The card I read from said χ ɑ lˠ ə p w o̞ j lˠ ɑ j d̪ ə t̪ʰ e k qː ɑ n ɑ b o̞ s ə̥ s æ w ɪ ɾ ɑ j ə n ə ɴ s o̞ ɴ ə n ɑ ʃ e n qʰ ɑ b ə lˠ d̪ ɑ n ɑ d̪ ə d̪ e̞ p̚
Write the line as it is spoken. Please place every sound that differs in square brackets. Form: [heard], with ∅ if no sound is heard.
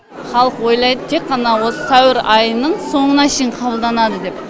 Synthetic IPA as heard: χ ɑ lˠ ə [q] w o̞ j lˠ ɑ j d̪ ə t̪ʰ e k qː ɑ n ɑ [w] o̞ s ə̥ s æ w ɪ ɾ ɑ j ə n ə ɴ s o̞ ɴ ə n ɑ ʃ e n qʰ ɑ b ə lˠ d̪ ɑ n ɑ d̪ ə d̪ e̞ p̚